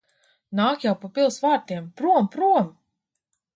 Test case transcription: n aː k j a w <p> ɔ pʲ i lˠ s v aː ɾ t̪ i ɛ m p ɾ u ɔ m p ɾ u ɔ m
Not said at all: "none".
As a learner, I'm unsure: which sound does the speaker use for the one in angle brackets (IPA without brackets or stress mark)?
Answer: p